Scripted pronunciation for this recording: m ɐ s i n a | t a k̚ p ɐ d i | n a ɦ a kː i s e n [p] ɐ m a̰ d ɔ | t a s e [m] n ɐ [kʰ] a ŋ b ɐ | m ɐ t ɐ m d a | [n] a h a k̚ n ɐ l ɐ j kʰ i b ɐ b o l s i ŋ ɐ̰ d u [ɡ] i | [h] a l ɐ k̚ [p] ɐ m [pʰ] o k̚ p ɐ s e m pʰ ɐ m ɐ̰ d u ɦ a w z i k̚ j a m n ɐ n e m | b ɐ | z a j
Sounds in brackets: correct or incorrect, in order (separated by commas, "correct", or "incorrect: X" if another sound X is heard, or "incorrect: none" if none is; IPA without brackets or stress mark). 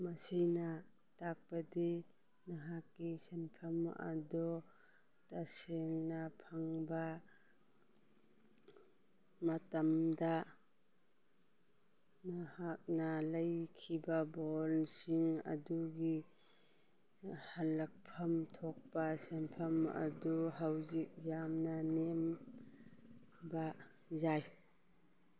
incorrect: pʰ, incorrect: ŋ, incorrect: pʰ, correct, correct, correct, incorrect: pʰ, incorrect: tʰ